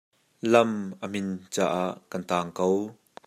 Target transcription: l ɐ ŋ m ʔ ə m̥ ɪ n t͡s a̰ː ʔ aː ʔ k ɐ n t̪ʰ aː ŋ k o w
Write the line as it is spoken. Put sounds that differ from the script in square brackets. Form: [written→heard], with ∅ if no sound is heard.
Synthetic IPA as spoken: l ɐ [ŋ→∅] m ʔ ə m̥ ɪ n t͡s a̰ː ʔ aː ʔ k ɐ n [t̪ʰ→t̪] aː ŋ k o w